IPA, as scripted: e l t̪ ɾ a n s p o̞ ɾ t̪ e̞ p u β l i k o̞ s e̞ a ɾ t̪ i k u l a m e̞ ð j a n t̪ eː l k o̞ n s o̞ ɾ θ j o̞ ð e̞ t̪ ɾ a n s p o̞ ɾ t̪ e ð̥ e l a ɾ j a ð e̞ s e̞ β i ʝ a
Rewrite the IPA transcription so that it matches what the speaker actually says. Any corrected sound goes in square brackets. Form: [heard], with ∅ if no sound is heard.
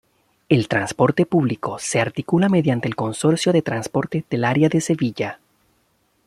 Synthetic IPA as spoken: e l t̪ ɾ a n s p o̞ ɾ t̪ e̞ p u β l i k o̞ s e̞ a ɾ t̪ i k u l a m e̞ ð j a n t̪ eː l k o̞ n s o̞ ɾ [s] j o̞ ð e̞ t̪ ɾ a n s p o̞ ɾ t̪ e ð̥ e l a ɾ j a ð e̞ s e̞ β i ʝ a